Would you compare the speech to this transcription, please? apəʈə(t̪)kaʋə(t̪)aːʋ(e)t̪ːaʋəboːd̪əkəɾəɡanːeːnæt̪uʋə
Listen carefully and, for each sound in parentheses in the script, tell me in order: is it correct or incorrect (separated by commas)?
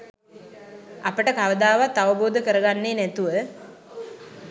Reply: incorrect, incorrect, incorrect